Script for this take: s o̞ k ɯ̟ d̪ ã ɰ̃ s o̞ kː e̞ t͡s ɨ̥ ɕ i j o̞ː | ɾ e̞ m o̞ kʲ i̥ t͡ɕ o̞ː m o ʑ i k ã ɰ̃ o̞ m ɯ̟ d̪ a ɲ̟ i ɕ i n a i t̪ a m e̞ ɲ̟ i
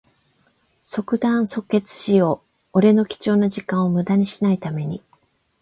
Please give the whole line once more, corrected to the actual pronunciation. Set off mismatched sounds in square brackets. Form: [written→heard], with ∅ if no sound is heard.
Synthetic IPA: s o̞ k ɯ̟ d̪ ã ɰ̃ s o̞ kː e̞ t͡s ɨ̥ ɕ i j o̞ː | ɾ e̞ [m→n] o̞ kʲ i̥ t͡ɕ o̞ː [m→n] o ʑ i k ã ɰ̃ o̞ m ɯ̟ d̪ a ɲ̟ i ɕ i n a i t̪ a m e̞ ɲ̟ i